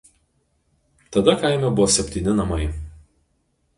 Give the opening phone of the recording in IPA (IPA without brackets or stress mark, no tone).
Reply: t̪